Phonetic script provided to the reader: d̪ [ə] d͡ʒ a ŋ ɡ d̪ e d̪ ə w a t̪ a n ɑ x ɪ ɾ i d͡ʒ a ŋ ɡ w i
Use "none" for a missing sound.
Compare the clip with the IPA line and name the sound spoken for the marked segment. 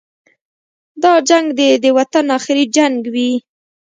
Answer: ɑ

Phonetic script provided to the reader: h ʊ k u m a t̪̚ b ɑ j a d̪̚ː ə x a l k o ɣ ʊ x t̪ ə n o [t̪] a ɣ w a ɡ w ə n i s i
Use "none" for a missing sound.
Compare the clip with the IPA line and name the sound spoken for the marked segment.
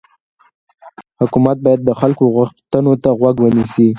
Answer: t̪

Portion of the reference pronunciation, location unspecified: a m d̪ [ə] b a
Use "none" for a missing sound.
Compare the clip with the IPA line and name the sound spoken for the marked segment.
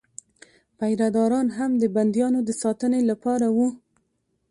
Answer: ə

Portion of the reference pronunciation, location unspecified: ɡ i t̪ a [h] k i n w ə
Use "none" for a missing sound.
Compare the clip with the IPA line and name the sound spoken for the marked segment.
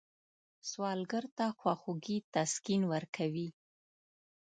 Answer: s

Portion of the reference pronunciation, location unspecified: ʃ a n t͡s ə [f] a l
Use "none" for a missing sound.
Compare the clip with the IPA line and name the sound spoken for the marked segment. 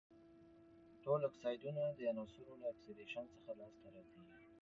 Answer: x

